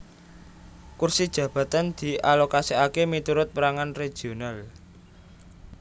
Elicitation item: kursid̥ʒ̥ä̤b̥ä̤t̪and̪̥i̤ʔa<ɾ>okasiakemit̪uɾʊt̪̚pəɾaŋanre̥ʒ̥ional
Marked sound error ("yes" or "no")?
yes